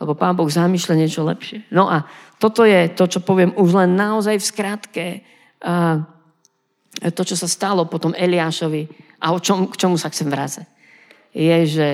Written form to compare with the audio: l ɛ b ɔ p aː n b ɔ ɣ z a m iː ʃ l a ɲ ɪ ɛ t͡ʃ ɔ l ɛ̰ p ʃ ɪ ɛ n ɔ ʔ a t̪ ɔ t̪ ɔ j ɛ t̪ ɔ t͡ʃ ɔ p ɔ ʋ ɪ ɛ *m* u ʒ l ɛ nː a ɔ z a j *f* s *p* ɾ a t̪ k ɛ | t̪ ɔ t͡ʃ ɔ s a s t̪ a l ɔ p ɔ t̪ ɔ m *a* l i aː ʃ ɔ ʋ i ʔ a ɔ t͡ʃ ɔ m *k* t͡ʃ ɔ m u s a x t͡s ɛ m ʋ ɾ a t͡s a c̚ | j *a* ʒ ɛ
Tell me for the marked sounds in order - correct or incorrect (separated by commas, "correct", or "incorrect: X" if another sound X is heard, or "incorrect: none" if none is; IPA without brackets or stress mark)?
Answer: correct, correct, incorrect: k, incorrect: ɛ, correct, incorrect: ɛ